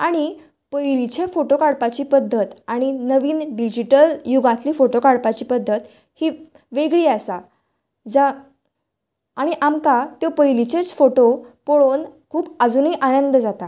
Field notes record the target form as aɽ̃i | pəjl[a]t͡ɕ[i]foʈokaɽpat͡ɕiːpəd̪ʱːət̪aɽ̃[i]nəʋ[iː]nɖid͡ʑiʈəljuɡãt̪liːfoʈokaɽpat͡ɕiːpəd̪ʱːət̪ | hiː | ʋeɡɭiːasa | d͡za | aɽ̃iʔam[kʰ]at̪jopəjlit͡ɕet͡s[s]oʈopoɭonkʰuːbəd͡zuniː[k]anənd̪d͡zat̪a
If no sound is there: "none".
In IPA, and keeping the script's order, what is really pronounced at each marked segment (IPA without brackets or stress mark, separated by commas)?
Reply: i, e, i, iː, k, f, ʔ